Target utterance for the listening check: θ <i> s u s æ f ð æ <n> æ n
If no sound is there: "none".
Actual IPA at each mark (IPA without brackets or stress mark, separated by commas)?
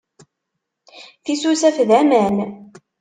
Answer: i, m